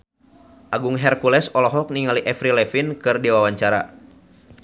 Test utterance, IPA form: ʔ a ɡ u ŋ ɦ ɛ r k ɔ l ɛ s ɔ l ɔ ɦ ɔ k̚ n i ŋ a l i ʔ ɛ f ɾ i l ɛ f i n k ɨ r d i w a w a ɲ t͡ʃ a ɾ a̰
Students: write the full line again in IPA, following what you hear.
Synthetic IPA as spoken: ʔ a ɡ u ŋ ɦ ɛ r k u l ɛ s ɔ l ɔ ɦ ɔ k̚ n i ŋ a l i ʔ ɛ f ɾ i l ɛ f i n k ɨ r d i w a w a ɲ t͡ʃ a ɾ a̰